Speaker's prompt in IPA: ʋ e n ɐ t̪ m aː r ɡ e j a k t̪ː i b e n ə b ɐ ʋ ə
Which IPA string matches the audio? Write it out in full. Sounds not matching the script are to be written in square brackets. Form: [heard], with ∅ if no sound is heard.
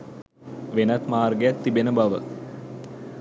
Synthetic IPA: ʋ e n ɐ t̪ m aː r ɡ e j a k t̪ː i b e n ə b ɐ ʋ ə